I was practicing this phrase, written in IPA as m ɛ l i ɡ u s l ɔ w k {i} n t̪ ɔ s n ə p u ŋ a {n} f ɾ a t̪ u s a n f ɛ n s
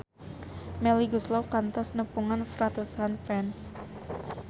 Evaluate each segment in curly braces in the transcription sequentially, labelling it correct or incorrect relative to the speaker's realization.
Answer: incorrect: a, correct

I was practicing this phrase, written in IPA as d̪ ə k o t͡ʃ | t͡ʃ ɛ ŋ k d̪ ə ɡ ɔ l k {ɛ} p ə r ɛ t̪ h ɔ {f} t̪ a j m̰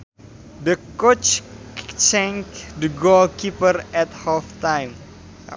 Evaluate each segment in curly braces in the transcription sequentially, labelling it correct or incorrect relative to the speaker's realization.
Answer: incorrect: i, correct

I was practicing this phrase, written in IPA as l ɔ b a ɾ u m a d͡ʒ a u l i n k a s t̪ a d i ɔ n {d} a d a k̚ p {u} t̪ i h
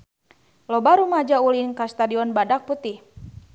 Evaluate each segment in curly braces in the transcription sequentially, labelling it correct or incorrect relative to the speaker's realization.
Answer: incorrect: b, correct

